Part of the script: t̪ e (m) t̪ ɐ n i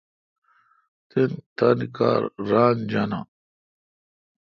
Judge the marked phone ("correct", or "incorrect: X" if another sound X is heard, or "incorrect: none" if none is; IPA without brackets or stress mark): incorrect: n